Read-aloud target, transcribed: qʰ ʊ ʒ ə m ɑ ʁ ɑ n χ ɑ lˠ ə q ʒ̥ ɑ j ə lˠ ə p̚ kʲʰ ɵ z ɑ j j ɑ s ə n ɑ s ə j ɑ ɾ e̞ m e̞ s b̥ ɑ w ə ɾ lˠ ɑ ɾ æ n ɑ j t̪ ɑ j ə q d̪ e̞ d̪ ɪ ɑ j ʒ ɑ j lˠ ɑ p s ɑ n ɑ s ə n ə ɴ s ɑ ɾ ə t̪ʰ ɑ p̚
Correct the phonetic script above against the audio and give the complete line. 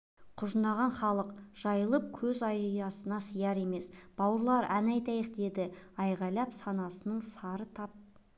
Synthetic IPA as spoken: qʰ ʊ ʒ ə n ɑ ʁ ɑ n χ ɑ lˠ ə q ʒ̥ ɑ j ə lˠ ə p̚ kʲʰ ɵ z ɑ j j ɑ s ə n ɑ s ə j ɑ ɾ e̞ m e̞ s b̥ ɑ w ə ɾ lˠ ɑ ɾ æ n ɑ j t̪ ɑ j ə q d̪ e̞ d̪ ɪ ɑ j ʁ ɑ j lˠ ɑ p s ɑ n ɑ s ə n ə ɴ s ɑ ɾ ə t̪ʰ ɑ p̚